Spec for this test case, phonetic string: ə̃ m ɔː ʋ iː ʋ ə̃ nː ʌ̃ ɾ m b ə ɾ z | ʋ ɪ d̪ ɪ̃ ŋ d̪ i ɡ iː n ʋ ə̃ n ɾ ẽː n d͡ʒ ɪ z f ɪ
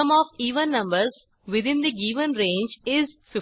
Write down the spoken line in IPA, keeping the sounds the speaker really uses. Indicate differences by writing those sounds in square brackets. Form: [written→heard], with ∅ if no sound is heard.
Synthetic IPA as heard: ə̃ m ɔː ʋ iː ʋ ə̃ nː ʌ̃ [ɾ→∅] m b ə ɾ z | ʋ ɪ d̪ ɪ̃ [ŋ→n] d̪ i ɡ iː [n→∅] ʋ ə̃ n ɾ ẽː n d͡ʒ ɪ z f ɪ